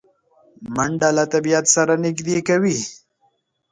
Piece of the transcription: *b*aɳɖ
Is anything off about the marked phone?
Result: yes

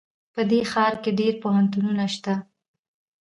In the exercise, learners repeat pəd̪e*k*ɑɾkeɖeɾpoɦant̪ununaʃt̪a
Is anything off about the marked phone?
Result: yes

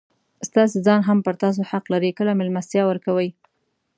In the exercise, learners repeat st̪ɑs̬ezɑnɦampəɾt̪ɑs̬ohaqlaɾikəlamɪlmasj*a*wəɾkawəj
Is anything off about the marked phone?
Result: yes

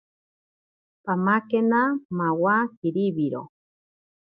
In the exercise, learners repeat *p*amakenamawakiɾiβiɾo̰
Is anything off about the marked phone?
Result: no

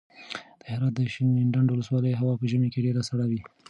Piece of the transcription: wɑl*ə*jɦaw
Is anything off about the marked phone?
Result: no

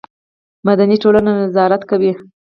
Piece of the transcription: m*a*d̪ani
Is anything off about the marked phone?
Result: no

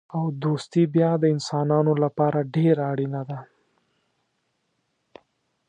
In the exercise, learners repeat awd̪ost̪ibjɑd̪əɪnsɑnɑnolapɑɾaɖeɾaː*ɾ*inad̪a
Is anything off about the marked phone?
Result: yes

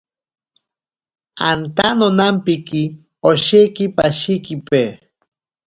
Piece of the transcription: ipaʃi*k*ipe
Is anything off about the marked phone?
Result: no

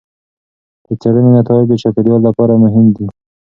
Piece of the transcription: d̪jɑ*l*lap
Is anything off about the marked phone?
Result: no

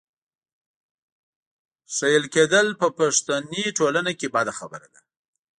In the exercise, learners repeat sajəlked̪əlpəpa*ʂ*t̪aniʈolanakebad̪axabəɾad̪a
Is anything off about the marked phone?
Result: no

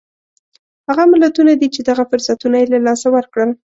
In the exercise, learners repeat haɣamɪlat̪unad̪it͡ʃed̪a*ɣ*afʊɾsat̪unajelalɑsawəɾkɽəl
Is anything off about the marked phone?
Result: no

